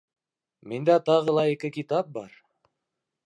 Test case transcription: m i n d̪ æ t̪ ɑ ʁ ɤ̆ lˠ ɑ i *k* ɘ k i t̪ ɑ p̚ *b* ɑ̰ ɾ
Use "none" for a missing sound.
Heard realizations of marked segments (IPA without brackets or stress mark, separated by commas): k, b